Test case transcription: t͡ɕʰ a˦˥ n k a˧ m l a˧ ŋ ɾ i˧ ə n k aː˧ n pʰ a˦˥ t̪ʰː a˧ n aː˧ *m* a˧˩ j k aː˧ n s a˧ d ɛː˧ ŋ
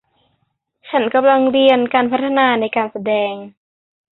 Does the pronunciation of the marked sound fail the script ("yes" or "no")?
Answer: yes